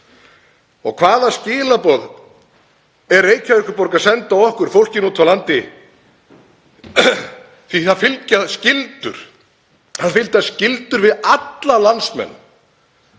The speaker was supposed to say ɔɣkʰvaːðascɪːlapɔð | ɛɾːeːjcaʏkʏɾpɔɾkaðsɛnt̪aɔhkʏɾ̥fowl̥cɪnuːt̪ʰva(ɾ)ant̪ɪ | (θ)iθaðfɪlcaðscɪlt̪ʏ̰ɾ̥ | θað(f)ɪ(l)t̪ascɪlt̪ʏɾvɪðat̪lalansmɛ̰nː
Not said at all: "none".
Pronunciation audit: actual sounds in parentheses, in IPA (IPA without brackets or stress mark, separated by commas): l, θ, f, l